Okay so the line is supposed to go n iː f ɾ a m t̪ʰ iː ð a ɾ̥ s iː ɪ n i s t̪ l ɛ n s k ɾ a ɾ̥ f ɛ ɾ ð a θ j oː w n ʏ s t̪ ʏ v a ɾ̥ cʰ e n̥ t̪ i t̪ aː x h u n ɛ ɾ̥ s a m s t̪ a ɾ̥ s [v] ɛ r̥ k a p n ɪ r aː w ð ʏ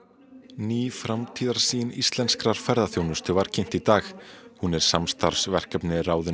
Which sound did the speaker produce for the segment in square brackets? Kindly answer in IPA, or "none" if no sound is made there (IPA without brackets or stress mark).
v